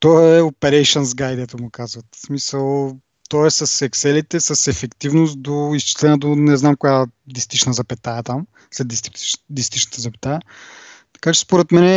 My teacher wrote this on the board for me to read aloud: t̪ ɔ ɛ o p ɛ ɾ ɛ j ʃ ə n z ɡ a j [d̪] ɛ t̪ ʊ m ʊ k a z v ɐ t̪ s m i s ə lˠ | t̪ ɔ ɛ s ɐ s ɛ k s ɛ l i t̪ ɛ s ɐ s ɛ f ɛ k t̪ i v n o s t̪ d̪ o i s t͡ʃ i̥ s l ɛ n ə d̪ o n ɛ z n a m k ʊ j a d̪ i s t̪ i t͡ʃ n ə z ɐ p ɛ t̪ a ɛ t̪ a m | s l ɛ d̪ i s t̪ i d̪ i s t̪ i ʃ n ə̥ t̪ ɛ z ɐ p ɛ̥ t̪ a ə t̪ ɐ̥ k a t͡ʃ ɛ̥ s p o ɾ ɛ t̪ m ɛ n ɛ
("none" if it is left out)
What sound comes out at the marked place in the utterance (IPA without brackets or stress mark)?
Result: d̪